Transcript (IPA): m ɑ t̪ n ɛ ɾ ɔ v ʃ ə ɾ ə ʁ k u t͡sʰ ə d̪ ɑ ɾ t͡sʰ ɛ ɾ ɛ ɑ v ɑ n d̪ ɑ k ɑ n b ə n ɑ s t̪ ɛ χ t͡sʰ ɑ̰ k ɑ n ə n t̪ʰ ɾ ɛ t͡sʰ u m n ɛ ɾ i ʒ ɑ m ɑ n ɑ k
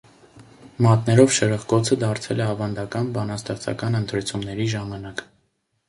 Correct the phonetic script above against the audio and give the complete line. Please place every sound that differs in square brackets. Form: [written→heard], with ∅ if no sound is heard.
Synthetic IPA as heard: m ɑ t̪ n ɛ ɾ ɔ v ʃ ə ɾ ə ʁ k [u→ɔ] t͡sʰ ə d̪ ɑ ɾ t͡sʰ ɛ [ɾ→l] ɛ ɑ v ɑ n d̪ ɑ k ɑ n b [ə→ɑ] n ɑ s t̪ ɛ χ t͡sʰ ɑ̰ k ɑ n ə n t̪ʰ ɾ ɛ t͡sʰ u m n ɛ ɾ i ʒ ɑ m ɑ n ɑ k